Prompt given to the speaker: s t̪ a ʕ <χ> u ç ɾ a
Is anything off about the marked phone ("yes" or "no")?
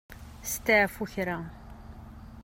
yes